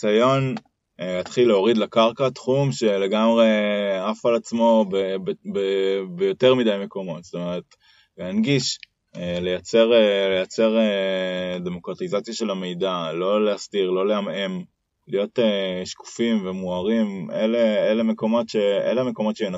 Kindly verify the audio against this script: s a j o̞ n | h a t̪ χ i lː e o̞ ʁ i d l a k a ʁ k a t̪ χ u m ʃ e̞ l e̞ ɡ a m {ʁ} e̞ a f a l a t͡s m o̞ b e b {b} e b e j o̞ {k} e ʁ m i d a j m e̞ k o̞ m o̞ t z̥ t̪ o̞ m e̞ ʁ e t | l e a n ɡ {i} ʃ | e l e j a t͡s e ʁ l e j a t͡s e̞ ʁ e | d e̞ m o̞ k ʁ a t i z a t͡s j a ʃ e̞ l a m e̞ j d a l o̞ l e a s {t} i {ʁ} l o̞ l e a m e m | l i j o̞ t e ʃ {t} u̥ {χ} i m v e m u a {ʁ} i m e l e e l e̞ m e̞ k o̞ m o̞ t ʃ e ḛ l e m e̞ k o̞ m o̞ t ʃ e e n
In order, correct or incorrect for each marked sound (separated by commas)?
correct, correct, incorrect, correct, correct, correct, incorrect, incorrect, correct